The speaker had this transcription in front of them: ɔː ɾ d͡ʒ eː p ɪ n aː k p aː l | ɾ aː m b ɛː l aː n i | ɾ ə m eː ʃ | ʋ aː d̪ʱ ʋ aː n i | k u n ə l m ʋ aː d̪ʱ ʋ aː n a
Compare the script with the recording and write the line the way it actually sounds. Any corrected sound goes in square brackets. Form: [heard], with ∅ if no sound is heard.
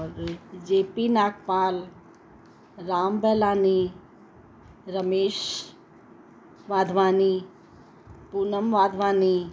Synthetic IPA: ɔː ɾ d͡ʒ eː p [i] n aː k p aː l | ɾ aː m b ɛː l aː n i | ɾ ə m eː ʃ | ʋ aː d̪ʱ ʋ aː n i | [p] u n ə [∅] m ʋ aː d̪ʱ ʋ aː n [i]